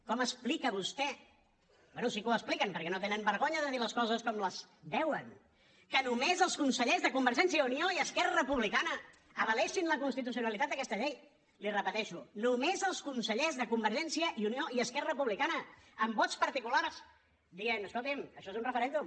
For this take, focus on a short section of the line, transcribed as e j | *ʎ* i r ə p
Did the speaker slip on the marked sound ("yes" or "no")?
yes